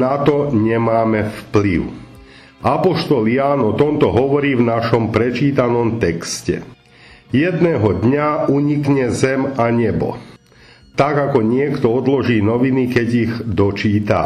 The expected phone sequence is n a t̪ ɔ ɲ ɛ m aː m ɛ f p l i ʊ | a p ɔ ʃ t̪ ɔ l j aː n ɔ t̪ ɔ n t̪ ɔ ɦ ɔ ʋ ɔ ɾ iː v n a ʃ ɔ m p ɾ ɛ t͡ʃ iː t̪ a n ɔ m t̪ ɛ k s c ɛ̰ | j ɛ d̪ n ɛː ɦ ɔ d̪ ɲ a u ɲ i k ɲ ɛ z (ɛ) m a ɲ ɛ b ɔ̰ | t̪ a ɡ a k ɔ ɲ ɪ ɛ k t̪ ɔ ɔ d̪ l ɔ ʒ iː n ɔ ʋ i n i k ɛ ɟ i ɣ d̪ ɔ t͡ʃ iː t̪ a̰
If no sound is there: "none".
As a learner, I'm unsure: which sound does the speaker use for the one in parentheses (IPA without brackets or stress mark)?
ɛ